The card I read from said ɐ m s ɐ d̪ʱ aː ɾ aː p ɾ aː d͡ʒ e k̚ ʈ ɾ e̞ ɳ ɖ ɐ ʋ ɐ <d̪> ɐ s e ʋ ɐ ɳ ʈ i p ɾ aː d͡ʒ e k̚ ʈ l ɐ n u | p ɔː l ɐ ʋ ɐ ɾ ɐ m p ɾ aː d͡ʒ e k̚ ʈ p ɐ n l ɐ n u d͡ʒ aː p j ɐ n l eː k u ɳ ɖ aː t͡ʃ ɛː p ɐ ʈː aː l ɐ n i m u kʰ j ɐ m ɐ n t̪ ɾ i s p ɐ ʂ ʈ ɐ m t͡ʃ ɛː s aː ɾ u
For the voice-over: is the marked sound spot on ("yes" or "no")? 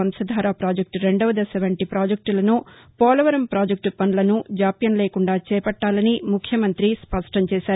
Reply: yes